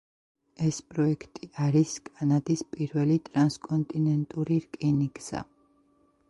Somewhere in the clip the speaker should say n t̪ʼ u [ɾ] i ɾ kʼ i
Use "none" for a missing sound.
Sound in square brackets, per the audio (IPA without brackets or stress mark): ɾ